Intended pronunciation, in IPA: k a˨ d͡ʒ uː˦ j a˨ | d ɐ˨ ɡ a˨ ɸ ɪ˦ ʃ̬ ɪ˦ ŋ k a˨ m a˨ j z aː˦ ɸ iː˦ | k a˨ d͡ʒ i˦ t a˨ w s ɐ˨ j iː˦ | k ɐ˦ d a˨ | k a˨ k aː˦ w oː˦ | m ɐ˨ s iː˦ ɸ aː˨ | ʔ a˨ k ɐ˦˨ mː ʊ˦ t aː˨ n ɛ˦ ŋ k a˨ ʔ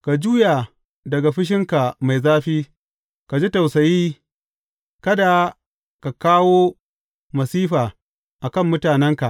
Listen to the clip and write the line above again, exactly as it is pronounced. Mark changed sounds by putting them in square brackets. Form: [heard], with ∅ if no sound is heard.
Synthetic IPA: k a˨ d͡ʒ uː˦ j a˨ | d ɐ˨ ɡ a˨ ɸ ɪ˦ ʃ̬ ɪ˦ ŋ k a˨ m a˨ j z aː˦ ɸ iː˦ | k a˨ d͡ʒ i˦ t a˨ w s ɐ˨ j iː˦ | k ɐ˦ d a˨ | k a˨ k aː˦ w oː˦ | m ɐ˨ s iː˦ ɸ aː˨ | ʔ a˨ k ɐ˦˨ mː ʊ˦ t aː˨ n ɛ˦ ŋ k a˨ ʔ